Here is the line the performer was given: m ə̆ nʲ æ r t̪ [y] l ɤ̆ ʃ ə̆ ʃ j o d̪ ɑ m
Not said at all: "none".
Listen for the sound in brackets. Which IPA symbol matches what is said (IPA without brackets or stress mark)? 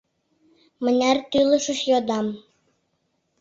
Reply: y